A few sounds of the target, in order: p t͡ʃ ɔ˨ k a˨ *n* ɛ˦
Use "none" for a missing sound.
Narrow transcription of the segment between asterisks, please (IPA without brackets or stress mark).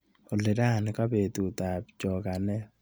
n